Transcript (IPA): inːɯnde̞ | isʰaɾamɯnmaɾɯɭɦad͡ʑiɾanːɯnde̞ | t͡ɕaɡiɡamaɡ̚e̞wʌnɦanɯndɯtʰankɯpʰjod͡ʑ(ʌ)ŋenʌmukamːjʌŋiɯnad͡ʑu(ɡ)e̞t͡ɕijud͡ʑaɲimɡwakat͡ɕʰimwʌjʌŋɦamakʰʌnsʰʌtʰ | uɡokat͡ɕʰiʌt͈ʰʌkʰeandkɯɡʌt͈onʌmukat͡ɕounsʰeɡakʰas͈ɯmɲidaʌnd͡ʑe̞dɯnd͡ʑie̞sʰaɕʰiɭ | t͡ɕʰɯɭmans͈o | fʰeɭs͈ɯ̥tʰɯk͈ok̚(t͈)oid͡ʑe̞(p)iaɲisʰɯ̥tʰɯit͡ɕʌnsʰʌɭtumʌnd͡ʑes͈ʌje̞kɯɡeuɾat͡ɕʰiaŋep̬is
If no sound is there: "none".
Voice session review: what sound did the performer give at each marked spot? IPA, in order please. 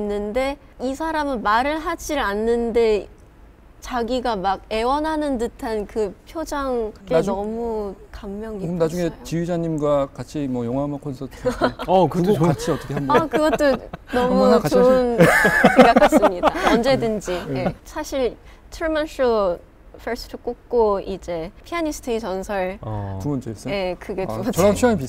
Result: a, ŋ, k͈, pʰ

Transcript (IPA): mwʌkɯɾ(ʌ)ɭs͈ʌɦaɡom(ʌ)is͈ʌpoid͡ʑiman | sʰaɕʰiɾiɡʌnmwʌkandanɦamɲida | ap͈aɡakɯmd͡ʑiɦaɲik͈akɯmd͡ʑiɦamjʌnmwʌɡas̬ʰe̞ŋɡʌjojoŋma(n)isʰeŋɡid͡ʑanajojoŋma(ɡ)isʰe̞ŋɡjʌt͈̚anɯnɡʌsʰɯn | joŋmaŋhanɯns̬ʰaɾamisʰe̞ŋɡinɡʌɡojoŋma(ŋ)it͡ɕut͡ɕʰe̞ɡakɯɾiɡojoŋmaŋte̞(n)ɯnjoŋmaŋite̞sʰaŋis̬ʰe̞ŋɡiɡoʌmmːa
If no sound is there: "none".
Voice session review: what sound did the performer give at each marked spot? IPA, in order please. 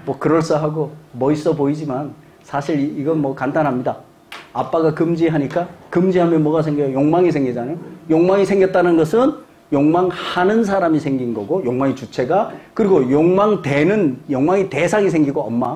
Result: ʌ, ʌ, ŋ, ŋ, ŋ, n

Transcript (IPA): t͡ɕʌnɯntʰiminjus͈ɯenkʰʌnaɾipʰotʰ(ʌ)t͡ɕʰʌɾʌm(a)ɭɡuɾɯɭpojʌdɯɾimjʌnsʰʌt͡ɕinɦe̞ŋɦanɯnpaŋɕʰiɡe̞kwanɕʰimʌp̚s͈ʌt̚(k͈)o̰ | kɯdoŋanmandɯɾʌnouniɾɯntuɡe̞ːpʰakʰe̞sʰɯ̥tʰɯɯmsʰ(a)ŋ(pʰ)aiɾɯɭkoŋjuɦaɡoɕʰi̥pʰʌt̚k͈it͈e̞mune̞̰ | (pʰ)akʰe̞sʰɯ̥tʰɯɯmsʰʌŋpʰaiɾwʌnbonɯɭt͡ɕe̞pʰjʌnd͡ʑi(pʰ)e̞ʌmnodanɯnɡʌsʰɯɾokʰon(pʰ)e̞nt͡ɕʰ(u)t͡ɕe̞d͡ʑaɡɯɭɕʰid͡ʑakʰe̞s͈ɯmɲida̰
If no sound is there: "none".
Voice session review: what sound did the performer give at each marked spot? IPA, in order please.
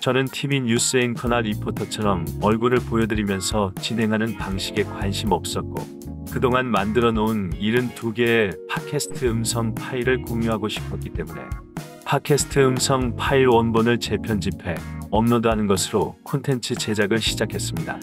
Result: ʌ, ʌ, k͈, ʌ, pʰ, pʰ, pʰ, tʰ, ɯ

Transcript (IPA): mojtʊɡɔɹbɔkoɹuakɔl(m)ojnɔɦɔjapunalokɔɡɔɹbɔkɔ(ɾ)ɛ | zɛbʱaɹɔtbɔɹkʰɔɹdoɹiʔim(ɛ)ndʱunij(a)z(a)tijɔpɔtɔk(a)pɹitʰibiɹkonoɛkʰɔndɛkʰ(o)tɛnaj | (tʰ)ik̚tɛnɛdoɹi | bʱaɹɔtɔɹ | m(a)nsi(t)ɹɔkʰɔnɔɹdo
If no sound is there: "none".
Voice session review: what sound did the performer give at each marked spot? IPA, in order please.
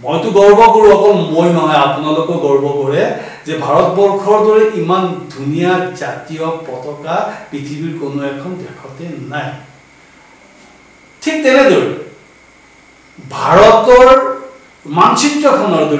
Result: m, ɹ, a, a, a, a, ɔ, tʰ, a, t

